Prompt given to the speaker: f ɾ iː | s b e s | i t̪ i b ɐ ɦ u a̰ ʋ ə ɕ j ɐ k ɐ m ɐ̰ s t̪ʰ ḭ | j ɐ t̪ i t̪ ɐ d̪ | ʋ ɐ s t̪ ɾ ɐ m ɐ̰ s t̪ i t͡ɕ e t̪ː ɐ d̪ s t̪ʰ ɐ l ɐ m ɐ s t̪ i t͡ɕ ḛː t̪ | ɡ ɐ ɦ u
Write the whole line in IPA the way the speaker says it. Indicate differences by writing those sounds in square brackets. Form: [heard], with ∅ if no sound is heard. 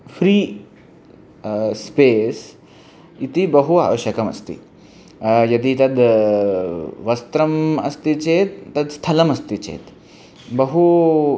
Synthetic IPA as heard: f ɾ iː | s [p] e s | i t̪ i b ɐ ɦ u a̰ ʋ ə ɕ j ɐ k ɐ m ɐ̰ s [t̪] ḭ | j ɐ [d̪] i t̪ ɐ d̪ | ʋ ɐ s t̪ ɾ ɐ m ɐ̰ s t̪ i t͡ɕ e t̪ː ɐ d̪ s t̪ʰ ɐ l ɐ m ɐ s t̪ i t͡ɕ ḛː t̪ | [b] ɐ ɦ u